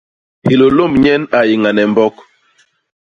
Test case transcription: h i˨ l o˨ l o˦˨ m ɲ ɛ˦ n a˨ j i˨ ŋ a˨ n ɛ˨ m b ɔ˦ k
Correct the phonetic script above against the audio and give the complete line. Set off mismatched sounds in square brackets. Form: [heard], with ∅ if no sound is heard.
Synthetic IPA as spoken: h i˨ l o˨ l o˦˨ m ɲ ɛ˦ n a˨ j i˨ ŋ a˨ n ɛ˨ m b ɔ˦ k